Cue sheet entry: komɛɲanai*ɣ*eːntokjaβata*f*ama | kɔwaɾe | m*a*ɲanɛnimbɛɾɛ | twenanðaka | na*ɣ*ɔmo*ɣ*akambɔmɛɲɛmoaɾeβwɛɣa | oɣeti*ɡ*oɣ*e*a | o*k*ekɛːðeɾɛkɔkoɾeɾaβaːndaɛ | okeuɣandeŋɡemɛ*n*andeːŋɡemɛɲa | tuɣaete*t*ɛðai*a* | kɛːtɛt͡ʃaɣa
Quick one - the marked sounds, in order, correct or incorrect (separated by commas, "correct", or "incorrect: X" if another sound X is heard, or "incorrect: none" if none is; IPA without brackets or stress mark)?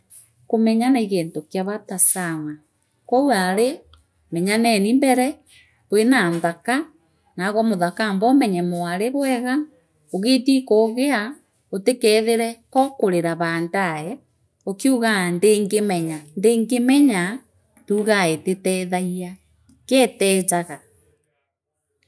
correct, incorrect: s, incorrect: ɛ, correct, incorrect: ð, incorrect: k, correct, incorrect: t, incorrect: ɲ, correct, correct